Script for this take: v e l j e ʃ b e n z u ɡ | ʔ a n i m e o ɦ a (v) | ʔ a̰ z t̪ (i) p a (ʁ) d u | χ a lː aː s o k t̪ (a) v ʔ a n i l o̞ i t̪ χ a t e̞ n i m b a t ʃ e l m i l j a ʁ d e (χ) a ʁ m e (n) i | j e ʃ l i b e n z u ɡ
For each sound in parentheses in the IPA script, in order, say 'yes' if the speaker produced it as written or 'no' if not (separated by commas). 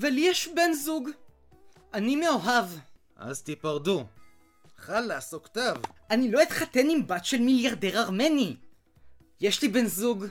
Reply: yes, yes, yes, yes, no, yes